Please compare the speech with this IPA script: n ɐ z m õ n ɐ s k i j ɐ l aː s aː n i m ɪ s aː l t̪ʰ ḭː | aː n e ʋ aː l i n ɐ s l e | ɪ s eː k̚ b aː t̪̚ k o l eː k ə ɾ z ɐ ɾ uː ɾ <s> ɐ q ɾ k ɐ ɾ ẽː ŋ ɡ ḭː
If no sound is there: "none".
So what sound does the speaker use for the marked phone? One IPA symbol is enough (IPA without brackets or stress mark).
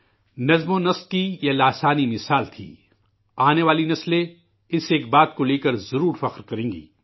f